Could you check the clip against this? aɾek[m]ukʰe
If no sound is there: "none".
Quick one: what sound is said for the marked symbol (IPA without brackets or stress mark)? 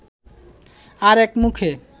m